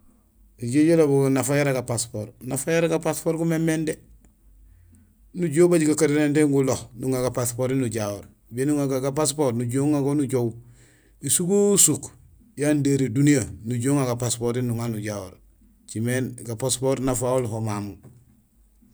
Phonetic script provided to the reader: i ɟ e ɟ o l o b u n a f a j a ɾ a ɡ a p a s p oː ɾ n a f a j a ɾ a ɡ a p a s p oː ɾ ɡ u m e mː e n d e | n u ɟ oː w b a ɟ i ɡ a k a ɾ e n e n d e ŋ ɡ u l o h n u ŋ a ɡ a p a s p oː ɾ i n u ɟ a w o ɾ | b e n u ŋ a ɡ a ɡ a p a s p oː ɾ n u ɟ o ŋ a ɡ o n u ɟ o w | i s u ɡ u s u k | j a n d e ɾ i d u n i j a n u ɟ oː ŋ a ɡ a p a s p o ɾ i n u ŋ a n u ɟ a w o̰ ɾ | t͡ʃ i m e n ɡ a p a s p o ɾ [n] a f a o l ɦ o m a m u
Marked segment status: correct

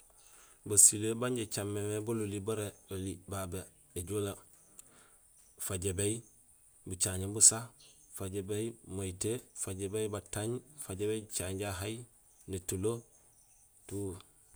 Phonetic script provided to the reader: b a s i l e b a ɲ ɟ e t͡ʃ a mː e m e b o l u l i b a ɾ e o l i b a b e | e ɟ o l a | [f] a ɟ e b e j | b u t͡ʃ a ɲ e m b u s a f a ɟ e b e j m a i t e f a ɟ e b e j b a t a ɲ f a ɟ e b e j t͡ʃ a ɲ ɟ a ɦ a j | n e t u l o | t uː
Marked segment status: correct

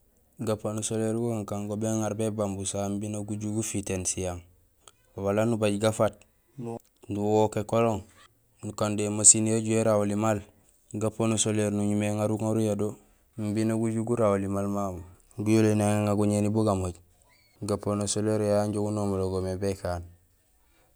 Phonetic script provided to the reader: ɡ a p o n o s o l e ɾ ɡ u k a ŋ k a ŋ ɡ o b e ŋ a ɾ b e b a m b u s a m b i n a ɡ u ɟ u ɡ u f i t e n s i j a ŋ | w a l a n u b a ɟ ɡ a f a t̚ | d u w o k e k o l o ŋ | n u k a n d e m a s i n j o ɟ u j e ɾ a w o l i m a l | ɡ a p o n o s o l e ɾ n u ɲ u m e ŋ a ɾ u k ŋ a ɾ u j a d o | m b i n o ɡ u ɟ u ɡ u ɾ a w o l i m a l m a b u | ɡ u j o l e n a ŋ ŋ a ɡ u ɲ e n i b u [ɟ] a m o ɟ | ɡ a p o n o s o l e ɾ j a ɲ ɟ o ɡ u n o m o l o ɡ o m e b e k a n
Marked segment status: incorrect: ɡ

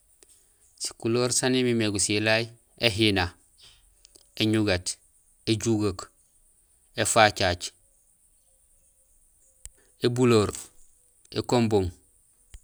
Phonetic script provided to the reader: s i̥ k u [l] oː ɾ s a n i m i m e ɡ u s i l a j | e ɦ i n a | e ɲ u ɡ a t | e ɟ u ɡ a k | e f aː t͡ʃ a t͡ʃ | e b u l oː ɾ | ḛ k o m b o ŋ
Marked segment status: correct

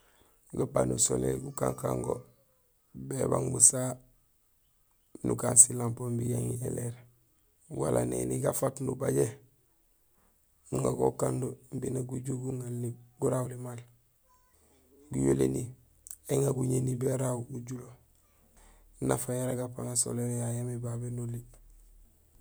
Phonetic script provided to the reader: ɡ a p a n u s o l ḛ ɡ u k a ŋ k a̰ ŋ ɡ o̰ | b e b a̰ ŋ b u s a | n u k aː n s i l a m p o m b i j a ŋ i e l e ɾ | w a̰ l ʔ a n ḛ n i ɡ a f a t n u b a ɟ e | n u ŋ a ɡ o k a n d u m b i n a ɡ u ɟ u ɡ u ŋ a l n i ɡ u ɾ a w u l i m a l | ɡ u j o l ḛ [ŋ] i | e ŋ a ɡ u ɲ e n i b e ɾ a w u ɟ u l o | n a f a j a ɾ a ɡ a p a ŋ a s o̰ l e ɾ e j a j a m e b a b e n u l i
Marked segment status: incorrect: n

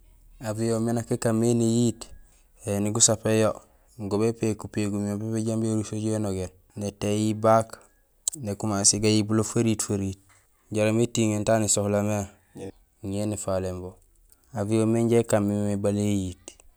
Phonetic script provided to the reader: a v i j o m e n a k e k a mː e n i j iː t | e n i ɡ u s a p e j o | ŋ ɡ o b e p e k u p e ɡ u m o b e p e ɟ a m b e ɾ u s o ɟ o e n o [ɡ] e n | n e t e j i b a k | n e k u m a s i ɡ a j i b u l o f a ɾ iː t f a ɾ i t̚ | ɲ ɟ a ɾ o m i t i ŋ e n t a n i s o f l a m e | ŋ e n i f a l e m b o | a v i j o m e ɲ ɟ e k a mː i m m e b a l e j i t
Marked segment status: correct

